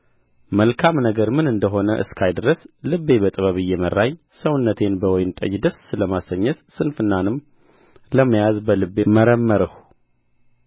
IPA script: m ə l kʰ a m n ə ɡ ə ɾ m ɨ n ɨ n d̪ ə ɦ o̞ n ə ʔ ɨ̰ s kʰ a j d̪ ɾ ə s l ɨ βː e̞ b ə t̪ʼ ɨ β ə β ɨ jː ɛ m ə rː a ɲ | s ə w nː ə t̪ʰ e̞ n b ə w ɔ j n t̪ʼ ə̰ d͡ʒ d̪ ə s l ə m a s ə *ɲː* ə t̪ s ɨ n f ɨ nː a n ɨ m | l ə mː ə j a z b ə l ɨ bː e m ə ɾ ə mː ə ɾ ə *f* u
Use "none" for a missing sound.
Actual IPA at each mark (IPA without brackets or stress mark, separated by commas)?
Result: ɲː, h